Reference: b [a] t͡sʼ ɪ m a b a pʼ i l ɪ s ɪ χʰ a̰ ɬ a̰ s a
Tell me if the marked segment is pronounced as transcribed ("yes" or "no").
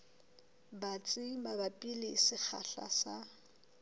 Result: yes